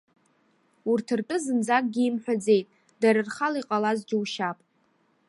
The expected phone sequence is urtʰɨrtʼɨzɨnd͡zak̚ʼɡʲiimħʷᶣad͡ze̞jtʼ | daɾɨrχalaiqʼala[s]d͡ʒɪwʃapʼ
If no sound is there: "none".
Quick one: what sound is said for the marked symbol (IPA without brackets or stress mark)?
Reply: z